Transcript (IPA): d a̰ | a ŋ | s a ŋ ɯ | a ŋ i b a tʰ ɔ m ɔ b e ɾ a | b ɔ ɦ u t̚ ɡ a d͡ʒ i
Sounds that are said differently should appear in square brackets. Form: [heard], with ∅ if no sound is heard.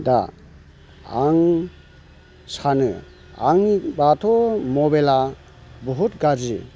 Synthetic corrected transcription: d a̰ | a ŋ | s a [n] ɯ | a ŋ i b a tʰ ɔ m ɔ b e [l] a | b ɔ ɦ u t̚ ɡ a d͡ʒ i